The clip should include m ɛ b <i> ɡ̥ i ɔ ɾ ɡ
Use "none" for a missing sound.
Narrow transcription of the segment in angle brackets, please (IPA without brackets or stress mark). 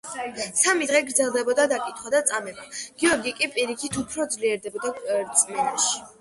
a